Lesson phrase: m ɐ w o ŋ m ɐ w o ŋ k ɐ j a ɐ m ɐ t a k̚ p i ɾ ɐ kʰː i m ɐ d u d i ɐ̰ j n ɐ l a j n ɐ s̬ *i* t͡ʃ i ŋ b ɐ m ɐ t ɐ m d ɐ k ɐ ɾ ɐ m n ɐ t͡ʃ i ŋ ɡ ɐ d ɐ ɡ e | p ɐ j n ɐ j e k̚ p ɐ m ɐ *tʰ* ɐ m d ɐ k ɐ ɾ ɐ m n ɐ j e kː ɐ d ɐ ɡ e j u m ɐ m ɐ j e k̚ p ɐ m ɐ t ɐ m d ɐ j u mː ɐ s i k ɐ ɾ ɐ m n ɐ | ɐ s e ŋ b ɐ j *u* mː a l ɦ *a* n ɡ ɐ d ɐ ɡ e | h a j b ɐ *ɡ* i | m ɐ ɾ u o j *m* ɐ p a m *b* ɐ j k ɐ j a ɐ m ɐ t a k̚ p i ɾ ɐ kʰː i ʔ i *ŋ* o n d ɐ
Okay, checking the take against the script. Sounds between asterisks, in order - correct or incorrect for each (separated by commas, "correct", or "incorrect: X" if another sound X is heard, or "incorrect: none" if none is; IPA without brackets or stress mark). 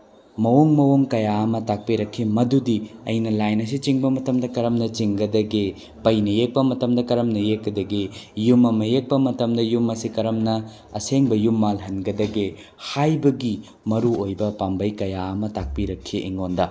correct, incorrect: t, correct, incorrect: ɐ, correct, incorrect: b, correct, correct